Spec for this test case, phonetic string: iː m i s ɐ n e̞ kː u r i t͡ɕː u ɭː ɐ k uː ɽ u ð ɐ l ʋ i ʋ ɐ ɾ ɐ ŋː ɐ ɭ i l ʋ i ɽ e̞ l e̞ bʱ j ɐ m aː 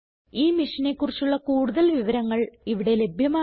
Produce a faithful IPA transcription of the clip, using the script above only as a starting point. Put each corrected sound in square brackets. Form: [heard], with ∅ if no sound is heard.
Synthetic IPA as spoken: iː m i [ʂ] ɐ n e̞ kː u r i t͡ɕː u ɭː ɐ k uː ɽ u ð ɐ l ʋ i ʋ ɐ ɾ ɐ ŋː ɐ ɭ i [∅] ʋ i ɽ e̞ l e̞ bʱ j ɐ m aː